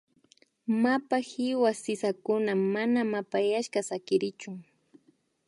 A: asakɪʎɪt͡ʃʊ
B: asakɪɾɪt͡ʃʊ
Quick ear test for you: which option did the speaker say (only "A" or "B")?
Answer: B